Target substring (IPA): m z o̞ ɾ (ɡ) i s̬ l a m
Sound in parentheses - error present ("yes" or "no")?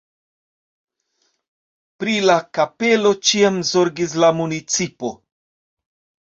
no